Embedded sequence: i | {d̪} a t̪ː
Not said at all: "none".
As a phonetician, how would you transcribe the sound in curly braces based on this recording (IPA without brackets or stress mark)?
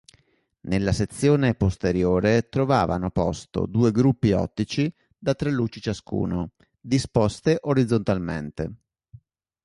d̪